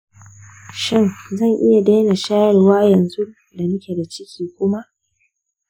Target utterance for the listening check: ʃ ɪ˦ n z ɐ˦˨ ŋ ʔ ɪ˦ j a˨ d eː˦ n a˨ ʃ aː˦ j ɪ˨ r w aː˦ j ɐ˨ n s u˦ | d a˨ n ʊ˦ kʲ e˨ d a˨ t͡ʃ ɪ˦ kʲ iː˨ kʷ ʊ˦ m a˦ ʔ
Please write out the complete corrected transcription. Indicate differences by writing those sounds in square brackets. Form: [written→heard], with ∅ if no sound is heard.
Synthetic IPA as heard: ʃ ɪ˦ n z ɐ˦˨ ŋ ʔ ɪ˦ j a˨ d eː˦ n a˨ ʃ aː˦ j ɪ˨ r w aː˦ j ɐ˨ n [s→z] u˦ | d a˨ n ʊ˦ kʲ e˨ d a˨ t͡ʃ ɪ˦ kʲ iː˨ kʷ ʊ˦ m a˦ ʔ